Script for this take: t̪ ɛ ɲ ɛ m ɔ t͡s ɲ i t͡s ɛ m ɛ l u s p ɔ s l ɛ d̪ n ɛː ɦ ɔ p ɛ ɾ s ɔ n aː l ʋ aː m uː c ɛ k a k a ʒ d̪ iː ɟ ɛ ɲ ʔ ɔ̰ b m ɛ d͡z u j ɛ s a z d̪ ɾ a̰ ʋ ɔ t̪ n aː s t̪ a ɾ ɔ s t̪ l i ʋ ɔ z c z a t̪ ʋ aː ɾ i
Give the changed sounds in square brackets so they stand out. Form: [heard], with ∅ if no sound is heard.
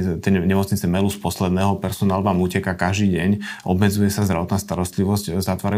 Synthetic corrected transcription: t̪ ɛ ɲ ɛ m ɔ t͡s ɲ i t͡s ɛ m ɛ l u s p ɔ s l ɛ d̪ n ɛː ɦ ɔ p ɛ ɾ s ɔ n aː l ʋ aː m uː c ɛ k a k a ʒ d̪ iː ɟ ɛ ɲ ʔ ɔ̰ b m ɛ d͡z u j ɛ s a z d̪ ɾ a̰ ʋ ɔ t̪ n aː s t̪ a ɾ ɔ s t̪ l i ʋ ɔ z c z a t̪ ʋ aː ɾ [a]